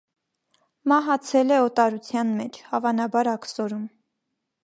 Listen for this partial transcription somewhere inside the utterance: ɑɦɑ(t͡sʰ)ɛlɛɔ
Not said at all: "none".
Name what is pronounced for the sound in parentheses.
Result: t͡sʰ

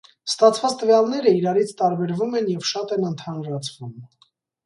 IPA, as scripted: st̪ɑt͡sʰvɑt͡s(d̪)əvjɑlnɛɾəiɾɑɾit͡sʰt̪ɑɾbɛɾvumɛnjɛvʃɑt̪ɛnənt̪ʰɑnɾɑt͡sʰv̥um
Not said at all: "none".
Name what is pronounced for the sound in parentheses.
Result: t̪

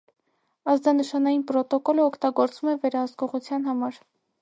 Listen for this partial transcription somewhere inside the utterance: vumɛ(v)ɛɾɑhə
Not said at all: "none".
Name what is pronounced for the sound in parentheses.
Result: v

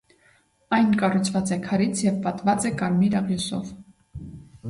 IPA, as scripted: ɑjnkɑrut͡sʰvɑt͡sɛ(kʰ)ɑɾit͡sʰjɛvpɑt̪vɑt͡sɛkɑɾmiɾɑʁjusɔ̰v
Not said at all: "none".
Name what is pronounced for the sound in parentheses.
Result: kʰ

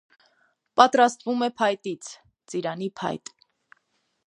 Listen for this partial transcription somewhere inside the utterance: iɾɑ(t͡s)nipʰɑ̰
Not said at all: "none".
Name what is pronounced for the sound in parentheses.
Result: none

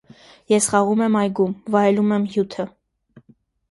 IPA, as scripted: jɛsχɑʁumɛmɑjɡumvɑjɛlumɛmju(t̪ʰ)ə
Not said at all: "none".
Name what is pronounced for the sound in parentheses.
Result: t̪ʰ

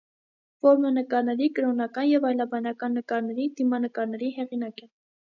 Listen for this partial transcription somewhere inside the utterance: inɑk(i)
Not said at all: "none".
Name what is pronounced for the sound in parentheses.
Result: ɛ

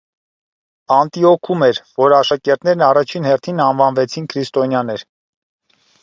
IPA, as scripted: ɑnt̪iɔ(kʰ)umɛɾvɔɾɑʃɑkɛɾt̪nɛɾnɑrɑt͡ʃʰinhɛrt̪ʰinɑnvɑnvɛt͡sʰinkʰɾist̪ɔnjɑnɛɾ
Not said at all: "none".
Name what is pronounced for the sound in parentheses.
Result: kʰ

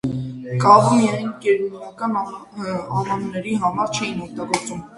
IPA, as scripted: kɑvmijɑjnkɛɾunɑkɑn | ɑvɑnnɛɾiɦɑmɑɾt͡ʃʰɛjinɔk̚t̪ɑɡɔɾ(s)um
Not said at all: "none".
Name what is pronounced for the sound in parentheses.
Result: t͡s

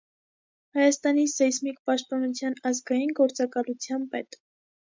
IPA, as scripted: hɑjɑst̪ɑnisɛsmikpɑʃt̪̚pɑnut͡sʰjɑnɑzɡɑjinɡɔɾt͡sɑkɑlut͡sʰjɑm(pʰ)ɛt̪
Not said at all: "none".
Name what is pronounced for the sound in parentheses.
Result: p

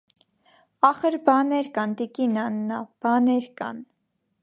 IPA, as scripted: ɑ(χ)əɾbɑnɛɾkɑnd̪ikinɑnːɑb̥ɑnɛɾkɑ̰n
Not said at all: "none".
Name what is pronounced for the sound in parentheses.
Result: χ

